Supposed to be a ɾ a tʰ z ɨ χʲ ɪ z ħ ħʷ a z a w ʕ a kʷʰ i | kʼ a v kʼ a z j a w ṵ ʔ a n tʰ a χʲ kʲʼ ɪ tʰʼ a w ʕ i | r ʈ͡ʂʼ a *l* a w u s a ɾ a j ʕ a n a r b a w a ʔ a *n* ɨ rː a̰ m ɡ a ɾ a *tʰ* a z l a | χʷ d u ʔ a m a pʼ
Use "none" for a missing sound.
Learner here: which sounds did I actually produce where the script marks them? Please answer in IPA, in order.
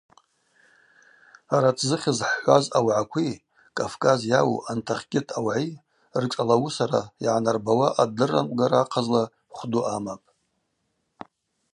l, d, qʰ

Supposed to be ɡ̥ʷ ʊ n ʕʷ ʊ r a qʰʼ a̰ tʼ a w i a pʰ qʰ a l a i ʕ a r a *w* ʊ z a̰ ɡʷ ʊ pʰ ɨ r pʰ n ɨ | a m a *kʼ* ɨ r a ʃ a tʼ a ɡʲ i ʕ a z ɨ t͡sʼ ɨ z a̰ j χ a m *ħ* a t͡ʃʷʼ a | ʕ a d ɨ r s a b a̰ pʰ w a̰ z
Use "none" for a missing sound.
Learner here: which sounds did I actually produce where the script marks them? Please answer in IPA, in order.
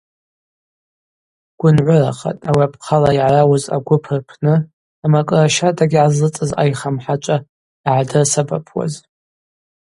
w, kʼ, ħ

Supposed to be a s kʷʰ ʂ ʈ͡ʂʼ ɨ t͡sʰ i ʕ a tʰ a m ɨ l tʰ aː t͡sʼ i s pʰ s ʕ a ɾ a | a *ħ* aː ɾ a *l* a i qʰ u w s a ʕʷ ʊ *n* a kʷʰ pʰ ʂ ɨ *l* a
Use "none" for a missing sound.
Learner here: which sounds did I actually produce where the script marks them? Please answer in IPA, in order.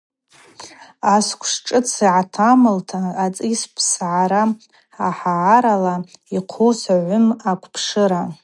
ħ, l, m, ɾ

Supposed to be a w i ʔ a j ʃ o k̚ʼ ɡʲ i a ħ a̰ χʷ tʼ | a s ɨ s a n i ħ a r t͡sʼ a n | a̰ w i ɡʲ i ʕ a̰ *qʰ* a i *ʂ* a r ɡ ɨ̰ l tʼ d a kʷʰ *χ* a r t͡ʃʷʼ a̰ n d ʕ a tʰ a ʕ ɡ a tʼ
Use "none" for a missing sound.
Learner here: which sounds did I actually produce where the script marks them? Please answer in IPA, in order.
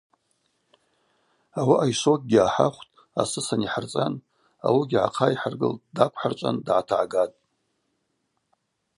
qʰ, ħ, ħ

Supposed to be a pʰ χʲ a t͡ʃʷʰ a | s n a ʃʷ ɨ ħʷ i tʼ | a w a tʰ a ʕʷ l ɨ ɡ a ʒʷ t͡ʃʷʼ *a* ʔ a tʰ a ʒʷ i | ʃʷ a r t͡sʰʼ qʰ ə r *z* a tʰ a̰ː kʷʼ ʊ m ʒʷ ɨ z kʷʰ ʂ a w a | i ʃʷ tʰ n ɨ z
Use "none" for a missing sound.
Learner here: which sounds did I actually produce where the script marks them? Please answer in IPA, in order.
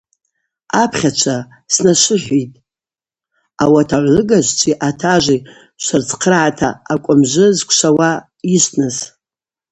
i, ʕ

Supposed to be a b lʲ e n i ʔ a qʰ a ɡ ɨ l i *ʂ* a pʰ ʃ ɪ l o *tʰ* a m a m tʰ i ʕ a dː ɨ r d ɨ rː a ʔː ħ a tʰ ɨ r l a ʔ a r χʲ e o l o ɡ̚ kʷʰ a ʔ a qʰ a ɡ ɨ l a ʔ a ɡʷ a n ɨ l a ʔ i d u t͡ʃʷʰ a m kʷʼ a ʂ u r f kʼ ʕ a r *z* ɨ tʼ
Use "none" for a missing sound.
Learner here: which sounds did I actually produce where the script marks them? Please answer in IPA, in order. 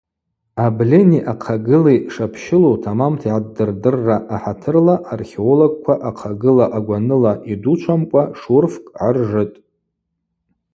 ʂ, tʰ, ʐ

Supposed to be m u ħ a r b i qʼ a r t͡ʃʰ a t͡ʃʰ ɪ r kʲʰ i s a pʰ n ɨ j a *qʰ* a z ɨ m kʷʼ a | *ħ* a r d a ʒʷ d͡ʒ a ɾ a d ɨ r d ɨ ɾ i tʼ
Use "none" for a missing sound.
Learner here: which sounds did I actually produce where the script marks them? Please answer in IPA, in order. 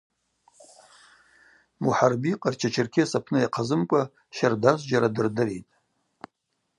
qʰ, ʃ

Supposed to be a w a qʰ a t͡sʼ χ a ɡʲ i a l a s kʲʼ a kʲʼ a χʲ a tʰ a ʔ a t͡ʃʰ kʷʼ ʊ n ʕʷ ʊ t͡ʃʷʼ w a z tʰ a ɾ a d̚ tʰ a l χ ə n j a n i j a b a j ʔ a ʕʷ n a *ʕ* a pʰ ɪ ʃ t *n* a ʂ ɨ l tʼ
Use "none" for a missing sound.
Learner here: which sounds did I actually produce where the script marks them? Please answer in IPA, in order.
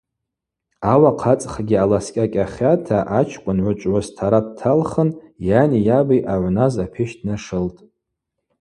z, n

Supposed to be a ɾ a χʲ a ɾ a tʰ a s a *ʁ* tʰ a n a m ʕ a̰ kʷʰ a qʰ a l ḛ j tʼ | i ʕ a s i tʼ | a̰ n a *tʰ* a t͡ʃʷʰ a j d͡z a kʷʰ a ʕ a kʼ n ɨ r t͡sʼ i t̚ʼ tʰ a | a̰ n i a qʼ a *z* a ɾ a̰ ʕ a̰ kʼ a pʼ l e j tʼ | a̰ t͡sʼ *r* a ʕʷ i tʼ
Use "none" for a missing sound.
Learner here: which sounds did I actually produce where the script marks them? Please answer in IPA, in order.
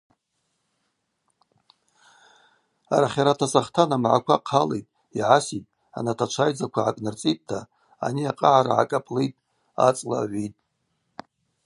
χ, tʰ, ʕ, l

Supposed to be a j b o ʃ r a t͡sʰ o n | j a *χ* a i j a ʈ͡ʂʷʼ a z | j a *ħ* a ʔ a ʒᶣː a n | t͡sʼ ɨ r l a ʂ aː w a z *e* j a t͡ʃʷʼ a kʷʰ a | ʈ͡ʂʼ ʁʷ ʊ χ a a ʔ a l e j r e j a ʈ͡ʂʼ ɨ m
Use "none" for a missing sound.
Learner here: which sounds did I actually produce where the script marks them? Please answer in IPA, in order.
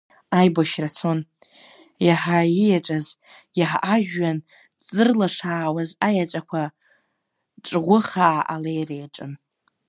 ħ, ħ, a

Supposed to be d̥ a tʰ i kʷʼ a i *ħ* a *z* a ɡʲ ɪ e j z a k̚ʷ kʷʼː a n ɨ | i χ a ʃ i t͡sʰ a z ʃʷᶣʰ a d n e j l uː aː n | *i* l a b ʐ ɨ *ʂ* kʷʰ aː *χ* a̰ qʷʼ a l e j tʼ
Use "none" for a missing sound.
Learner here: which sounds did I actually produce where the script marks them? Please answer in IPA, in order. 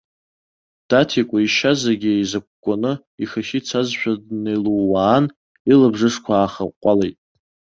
ʃ, z, i, ʂ, χ

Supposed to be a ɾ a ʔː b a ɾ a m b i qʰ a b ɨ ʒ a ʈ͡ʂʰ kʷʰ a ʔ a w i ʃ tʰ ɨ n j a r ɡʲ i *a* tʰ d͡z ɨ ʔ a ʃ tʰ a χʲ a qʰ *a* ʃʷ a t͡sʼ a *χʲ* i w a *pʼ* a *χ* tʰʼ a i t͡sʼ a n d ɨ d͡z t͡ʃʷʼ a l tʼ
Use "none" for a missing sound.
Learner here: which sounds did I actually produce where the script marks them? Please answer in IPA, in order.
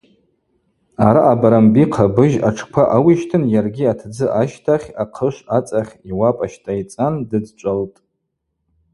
a, ə, χʲ, pʼ, ʃ

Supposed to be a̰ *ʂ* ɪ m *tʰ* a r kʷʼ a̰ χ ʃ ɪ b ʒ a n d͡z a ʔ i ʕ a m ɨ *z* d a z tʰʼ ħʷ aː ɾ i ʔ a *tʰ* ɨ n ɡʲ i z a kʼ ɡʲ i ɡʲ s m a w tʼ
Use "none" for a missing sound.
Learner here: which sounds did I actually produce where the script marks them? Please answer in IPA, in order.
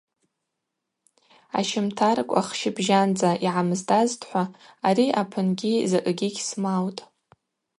ʃ, tʰ, z, pʰ

